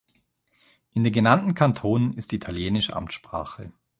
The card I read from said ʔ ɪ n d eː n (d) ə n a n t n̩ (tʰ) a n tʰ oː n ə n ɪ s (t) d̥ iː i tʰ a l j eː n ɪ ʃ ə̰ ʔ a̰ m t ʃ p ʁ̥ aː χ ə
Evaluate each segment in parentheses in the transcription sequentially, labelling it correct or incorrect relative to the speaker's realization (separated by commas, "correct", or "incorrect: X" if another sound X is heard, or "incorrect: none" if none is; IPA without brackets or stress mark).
incorrect: ɡ, incorrect: kʰ, correct